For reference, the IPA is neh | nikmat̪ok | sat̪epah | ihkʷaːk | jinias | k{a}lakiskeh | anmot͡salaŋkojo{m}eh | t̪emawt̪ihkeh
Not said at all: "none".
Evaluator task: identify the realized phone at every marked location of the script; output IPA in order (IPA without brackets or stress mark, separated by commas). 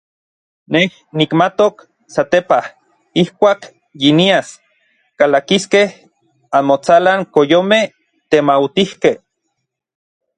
a, m